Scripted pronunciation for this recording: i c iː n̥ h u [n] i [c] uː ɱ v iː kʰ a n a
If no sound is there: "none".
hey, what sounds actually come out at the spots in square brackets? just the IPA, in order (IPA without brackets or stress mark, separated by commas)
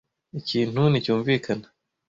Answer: n, c